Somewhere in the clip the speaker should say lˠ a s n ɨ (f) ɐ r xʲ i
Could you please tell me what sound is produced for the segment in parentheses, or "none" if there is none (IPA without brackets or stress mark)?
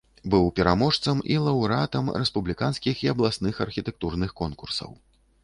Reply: x